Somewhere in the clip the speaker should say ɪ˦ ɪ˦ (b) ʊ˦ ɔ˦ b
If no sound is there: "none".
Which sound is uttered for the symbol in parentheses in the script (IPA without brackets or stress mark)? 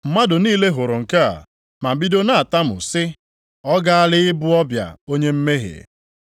b